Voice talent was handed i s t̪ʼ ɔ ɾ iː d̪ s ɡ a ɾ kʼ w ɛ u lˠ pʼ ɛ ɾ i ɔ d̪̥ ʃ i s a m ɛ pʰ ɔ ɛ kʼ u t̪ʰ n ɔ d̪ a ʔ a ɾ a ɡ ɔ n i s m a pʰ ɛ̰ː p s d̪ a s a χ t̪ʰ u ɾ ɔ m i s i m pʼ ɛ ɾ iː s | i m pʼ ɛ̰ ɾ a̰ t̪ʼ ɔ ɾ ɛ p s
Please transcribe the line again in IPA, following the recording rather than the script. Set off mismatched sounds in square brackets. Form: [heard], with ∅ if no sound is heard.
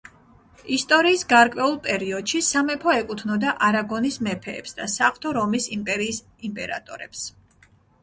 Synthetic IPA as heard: i s t̪ʼ ɔ ɾ iː [∅] s ɡ a ɾ kʼ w ɛ u lˠ pʼ ɛ ɾ i ɔ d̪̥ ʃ i s a m ɛ pʰ ɔ ɛ kʼ u t̪ʰ n ɔ d̪ a ʔ a ɾ a ɡ ɔ n i s m [ɛ] pʰ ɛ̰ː p s d̪ a s a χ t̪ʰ [ɔ] ɾ ɔ m i s i m pʼ ɛ ɾ iː s | i m pʼ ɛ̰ ɾ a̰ t̪ʼ ɔ ɾ ɛ p s